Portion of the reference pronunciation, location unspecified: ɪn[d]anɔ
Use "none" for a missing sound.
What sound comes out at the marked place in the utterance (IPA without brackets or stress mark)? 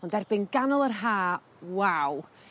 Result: ɡ